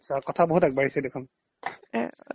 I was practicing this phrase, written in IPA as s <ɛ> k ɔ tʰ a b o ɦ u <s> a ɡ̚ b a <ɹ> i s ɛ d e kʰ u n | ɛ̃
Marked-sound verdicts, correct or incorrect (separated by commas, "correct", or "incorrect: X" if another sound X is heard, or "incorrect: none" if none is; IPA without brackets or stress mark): incorrect: a, incorrect: t, correct